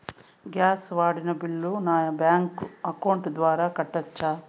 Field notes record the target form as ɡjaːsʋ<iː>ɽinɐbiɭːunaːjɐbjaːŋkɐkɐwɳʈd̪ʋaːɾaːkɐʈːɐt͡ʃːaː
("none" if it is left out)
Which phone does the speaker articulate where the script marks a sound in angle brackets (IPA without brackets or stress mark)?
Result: aː